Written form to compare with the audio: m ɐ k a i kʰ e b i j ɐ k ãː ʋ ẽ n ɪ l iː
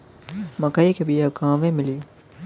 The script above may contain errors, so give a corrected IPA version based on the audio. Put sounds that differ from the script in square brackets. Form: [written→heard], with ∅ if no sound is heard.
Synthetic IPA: m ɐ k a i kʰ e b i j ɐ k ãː ʋ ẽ [n→m] ɪ l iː

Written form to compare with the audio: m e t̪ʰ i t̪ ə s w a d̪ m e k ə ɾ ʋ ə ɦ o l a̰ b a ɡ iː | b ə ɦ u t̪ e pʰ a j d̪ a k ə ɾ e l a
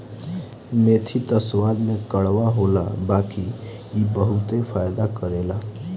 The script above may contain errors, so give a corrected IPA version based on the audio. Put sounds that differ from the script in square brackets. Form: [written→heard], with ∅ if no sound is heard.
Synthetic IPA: m e t̪ʰ i t̪ ə s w a d̪ m e k ə [ɾ→ɽ] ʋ [ə→a] ɦ o l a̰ b a [ɡ→k] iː | b ə ɦ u t̪ e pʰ a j d̪ a k ə ɾ e l a

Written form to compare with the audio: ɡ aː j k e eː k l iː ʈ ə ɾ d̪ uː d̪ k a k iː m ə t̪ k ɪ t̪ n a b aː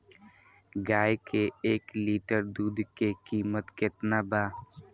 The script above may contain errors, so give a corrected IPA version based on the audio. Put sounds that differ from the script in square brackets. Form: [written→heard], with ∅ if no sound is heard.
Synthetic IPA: ɡ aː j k e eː k l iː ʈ ə ɾ d̪ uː d̪ k [a→e] k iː m ə t̪ k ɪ t̪ n a b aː

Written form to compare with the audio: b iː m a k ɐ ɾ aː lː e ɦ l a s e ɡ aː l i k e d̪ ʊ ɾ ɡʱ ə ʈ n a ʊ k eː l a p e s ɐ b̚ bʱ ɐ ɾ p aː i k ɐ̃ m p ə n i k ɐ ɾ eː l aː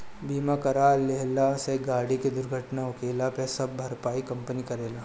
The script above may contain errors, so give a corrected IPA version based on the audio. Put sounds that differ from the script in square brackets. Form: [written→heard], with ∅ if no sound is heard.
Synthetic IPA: b iː m a k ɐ ɾ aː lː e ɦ l a s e ɡ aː [l→ɽ] i k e d̪ ʊ ɾ ɡʱ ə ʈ n a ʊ k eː l a p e s ɐ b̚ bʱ ɐ ɾ p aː i k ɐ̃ m p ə n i k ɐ ɾ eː l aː

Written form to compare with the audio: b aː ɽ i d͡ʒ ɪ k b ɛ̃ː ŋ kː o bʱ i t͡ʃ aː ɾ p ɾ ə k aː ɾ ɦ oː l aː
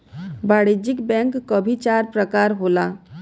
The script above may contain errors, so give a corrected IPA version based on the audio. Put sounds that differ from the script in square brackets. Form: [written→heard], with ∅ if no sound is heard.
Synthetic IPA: b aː ɽ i d͡ʒ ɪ k b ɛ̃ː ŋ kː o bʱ i t͡ʃ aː ɾ p ɾ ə k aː ɾ ɦ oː l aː

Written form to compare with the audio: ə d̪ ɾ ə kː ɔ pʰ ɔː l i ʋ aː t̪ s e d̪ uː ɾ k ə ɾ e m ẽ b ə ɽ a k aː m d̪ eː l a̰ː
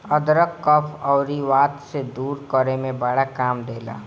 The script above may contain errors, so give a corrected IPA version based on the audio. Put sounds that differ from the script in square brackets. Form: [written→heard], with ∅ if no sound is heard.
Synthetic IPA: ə d̪ ɾ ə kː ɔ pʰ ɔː [l→ɾ] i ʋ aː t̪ s e d̪ uː ɾ k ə ɾ e m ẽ b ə ɽ a k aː m d̪ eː l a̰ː

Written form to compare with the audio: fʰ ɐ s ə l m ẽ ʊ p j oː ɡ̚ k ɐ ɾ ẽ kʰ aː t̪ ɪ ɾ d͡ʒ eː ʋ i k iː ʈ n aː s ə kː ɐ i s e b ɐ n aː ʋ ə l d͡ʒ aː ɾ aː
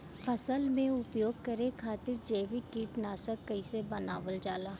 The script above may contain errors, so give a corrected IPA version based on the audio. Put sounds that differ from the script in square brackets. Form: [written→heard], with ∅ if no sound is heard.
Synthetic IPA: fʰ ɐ s ə l m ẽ ʊ p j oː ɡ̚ k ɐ ɾ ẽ kʰ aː t̪ ɪ ɾ d͡ʒ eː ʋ i k iː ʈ n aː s ə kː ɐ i s e b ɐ n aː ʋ ə l d͡ʒ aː [ɾ→l] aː

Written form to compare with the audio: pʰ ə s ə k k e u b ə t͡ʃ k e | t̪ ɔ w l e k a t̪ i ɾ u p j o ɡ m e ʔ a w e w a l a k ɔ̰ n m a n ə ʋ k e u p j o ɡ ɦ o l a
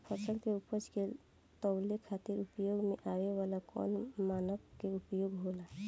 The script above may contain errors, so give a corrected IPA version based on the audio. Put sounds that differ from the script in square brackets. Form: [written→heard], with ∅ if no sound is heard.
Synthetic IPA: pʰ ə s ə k k e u [b→p] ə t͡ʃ k e | t̪ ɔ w l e [k→kʰ] a t̪ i ɾ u p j o ɡ m e ʔ a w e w a l a k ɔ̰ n m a n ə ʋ k e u p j o ɡ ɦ o l a

